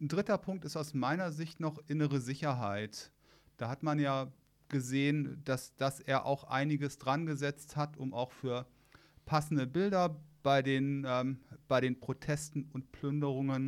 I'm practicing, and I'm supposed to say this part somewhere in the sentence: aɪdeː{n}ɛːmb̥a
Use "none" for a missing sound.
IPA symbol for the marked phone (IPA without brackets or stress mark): n